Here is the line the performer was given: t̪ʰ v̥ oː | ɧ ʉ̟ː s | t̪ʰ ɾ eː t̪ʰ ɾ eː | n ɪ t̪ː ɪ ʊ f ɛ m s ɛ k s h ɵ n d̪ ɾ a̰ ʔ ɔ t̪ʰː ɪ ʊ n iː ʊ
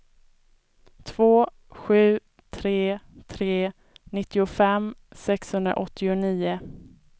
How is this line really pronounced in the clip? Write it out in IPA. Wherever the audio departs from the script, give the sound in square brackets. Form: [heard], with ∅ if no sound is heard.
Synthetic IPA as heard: t̪ʰ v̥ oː | ɧ ʉ̟ː [∅] | t̪ʰ ɾ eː t̪ʰ ɾ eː | n ɪ t̪ː ɪ ʊ f ɛ m s ɛ k s h ɵ n d̪ ɾ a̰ ʔ ɔ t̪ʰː ɪ ʊ n iː ʊ

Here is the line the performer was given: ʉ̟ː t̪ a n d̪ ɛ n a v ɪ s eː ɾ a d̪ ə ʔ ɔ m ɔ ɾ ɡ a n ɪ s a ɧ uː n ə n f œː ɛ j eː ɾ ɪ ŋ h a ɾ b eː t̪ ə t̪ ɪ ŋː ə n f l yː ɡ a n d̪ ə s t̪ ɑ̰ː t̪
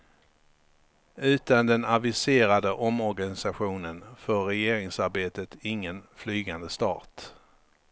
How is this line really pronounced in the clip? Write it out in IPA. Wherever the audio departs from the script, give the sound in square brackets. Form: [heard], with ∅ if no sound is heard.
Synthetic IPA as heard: ʉ̟ː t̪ a n d̪ ɛ n a v ɪ s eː ɾ a d̪ ə ʔ ɔ m ɔ ɾ ɡ a n ɪ s a ɧ uː n ə n f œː ɛ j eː ɾ ɪ ŋ [s] a ɾ b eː t̪ ə t̪ ɪ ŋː ə n f l yː ɡ a n d̪ ə s t̪ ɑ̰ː t̪

